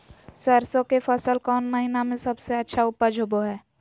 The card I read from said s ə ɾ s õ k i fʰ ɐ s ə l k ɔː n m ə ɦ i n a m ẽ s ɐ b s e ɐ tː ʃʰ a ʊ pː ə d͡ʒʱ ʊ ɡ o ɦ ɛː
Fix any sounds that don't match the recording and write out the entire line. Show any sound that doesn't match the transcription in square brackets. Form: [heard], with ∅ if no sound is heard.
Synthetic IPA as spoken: s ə ɾ s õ k [e] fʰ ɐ s ə l k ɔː n m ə ɦ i n a m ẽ s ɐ b s e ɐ tː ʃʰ a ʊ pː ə d͡ʒʱ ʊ [b] o ɦ ɛː